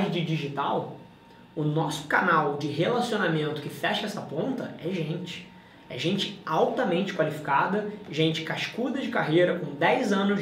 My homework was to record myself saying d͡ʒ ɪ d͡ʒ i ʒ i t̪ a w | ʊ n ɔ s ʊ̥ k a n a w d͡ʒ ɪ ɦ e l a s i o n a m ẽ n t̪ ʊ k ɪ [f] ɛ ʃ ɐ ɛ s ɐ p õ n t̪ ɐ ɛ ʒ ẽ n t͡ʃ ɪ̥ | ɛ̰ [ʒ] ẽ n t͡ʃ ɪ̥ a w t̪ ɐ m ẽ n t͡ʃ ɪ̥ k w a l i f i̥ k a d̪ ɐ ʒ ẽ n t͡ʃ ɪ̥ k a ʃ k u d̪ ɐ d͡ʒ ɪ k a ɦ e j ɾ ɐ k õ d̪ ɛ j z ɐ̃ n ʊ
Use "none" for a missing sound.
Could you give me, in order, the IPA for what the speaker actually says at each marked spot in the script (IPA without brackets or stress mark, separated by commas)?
f, ʒ